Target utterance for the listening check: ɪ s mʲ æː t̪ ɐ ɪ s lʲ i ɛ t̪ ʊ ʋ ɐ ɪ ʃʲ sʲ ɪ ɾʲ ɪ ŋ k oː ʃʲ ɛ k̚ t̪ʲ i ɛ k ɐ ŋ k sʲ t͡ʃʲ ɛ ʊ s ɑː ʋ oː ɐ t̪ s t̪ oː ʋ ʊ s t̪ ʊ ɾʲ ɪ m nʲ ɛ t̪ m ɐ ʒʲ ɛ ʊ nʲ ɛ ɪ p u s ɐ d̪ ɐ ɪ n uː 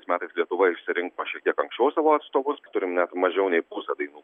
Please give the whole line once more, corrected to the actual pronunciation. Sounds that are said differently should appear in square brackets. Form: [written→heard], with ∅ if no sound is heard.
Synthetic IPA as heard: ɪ s mʲ æː t̪ ɐ ɪ s lʲ i ɛ t̪ ʊ ʋ ɐ ɪ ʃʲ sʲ ɪ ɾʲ ɪ ŋ k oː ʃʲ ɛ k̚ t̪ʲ i ɛ k ɐ ŋ k sʲ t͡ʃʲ ɛ ʊ s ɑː ʋ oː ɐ t̪ s t̪ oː ʋ ʊ s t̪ ʊ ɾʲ ɪ m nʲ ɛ t̪ m ɐ ʒʲ ɛ ʊ nʲ ɛ ɪ p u s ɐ d̪ ɐ ɪ n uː